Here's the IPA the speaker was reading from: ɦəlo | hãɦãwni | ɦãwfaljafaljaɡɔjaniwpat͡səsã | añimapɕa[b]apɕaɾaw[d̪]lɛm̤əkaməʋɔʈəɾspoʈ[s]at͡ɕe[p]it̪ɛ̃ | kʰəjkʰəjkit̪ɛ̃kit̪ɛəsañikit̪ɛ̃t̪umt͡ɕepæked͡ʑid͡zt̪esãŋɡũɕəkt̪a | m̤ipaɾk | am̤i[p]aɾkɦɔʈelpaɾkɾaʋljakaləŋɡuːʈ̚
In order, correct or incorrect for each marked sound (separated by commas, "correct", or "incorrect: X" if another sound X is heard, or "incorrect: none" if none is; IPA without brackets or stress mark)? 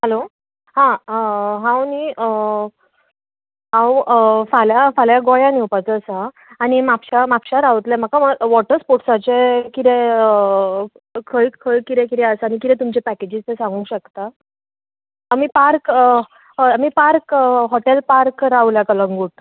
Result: incorrect: m, incorrect: t̪, correct, incorrect: k, correct